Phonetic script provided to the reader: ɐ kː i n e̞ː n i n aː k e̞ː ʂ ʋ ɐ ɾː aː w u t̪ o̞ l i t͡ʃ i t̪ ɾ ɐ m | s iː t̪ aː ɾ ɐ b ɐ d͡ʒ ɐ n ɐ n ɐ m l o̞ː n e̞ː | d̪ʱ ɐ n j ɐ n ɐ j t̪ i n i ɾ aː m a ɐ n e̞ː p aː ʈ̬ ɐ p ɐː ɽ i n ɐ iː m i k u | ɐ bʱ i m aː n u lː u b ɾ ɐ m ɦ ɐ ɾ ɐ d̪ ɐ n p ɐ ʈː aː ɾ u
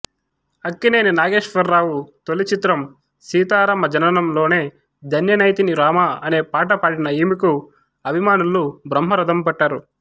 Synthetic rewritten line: ɐ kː i n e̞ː n i n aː ɡ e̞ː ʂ ʋ ɐ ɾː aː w u t̪ o̞ l i t͡ʃ i t̪ ɾ ɐ m | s iː t̪ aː ɾ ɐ m ɐ d͡ʒ ɐ n ɐ n ɐ m l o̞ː n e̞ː | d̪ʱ ɐ n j ɐ n ɐ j t̪ i n i ɾ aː m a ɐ n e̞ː p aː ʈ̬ ɐ p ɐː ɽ i n ɐ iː m i k u | ɐ bʱ i m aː n u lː u b ɾ ɐ m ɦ ɐ ɾ ɐ d̪ ɐ m p ɐ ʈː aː ɾ u